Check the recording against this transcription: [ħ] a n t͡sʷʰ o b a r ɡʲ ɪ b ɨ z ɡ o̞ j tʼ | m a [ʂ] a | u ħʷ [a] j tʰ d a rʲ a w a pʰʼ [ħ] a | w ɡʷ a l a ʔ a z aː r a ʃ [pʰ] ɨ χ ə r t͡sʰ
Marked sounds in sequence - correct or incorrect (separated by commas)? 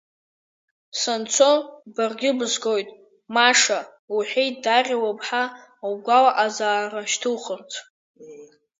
incorrect, correct, incorrect, correct, incorrect